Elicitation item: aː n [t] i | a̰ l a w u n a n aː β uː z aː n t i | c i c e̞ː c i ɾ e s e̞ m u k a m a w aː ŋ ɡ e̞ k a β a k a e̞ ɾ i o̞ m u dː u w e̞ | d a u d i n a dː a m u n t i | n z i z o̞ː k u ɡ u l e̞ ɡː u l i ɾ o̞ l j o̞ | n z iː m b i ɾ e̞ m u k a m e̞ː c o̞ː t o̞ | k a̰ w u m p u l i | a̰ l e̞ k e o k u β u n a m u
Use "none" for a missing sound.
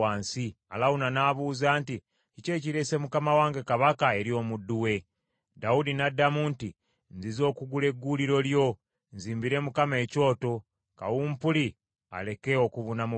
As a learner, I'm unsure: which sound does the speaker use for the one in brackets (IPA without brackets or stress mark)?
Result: s